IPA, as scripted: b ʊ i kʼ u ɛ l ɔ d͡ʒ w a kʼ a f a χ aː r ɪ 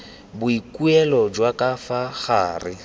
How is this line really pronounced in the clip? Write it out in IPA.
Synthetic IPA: b ʊ i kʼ u ɛ l ɔ d͡ʒ w a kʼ a f a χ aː r ɪ